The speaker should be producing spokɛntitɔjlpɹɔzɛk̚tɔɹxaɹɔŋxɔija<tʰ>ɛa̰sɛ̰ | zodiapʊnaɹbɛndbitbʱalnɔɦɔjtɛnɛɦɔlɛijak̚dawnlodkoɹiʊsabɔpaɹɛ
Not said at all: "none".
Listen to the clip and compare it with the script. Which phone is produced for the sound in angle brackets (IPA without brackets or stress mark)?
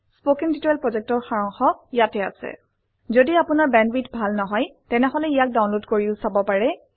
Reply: t